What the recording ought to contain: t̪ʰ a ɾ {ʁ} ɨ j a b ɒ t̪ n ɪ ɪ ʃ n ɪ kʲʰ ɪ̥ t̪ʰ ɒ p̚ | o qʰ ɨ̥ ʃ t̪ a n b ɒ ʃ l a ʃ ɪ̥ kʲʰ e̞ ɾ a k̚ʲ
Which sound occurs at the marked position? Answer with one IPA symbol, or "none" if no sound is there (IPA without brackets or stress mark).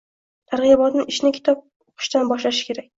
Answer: ʁ